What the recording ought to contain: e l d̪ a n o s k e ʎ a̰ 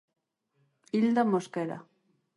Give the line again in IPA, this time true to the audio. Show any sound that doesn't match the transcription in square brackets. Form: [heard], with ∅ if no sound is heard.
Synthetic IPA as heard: [i] l d̪ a [m] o s k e [ɾ] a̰